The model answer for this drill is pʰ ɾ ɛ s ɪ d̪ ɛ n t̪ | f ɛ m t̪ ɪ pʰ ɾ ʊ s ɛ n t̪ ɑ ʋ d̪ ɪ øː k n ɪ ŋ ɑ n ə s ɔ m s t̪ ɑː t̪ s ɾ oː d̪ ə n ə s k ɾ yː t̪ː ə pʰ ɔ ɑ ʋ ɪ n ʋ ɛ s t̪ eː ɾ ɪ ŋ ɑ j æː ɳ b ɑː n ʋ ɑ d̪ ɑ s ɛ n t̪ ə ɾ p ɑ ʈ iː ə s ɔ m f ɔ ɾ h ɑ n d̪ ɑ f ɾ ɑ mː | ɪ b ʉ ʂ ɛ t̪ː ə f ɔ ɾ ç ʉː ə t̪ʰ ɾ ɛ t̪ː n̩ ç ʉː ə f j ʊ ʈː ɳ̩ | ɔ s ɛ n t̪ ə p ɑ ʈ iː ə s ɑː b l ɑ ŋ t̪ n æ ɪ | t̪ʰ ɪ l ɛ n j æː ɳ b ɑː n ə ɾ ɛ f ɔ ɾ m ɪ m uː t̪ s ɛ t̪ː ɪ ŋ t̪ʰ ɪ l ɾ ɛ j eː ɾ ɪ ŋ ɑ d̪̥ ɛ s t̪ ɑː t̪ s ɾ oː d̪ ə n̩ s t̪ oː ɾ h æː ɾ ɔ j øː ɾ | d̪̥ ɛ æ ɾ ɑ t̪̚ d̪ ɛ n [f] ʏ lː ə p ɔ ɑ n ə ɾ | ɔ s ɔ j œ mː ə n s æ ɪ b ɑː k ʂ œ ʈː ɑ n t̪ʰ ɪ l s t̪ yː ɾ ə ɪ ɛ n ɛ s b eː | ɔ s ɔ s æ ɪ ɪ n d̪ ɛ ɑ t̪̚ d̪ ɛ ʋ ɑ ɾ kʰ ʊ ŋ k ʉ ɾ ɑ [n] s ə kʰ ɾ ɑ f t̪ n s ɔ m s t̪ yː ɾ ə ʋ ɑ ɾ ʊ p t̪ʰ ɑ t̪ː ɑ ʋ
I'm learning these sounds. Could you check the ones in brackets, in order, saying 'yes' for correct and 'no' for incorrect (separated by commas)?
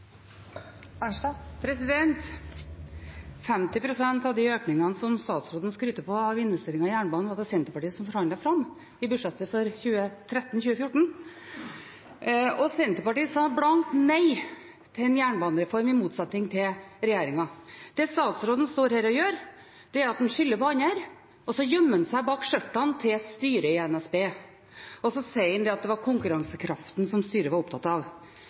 no, no